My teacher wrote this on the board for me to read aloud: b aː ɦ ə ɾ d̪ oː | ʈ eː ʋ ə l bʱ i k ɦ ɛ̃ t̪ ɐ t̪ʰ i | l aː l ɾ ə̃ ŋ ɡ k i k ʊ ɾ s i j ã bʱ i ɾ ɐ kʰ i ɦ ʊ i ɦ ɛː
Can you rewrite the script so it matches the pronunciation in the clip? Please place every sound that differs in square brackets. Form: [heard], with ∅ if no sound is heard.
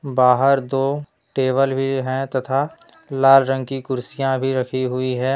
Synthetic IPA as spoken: b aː ɦ ə ɾ d̪ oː | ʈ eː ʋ ə l bʱ i [∅] ɦ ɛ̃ t̪ ɐ t̪ʰ [a] | l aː l ɾ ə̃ ŋ ɡ k i k ʊ ɾ s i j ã bʱ i ɾ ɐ kʰ i ɦ ʊ i ɦ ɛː